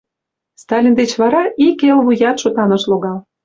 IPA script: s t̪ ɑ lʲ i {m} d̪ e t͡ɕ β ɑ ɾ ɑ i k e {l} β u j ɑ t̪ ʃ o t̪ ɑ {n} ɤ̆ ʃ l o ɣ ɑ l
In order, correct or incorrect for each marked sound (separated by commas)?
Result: incorrect, correct, correct